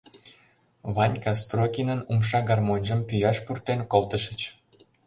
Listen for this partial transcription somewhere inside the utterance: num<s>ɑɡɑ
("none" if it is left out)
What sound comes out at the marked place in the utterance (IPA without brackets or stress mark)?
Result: ʃ